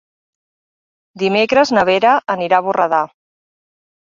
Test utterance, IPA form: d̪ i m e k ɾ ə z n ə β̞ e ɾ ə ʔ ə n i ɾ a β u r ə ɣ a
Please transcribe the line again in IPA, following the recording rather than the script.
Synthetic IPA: d̪ i m e k ɾ ə z n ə β̞ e ɾ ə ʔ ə n i ɾ a β u r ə ð a